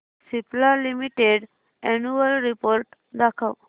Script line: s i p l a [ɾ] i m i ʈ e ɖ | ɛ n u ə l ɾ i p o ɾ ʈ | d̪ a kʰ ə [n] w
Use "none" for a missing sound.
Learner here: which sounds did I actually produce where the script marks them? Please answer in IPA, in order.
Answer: l, none

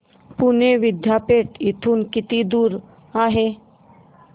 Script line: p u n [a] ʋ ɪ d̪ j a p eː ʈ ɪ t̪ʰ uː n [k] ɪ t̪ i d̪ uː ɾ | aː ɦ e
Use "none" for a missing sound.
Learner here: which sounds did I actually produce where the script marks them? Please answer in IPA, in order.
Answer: e, k

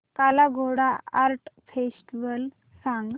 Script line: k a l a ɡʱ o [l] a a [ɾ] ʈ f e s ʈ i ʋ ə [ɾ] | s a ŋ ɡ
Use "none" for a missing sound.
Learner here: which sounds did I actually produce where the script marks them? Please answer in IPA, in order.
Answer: ɽ, ɾ, l

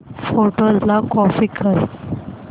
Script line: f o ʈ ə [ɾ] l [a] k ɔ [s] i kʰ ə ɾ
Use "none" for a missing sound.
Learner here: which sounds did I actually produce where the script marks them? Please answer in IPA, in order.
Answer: l, a, f

